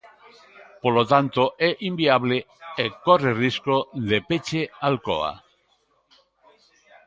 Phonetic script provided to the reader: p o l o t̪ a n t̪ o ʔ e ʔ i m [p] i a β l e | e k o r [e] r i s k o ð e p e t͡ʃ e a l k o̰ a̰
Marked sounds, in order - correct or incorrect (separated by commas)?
incorrect, correct